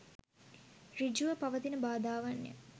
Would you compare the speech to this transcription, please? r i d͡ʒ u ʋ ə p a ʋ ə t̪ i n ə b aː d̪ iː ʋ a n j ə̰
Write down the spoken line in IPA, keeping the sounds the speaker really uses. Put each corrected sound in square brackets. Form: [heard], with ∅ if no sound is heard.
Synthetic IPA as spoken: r i d͡ʒ u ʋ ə p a ʋ ə t̪ i n ə b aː d̪ [aː] ʋ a n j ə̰